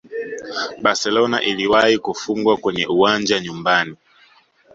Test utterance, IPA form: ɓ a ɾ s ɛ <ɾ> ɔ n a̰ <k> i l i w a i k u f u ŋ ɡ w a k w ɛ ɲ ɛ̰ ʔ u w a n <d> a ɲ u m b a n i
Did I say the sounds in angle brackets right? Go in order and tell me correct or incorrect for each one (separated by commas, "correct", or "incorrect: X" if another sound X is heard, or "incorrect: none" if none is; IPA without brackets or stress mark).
incorrect: l, incorrect: ʔ, incorrect: d͡ʒ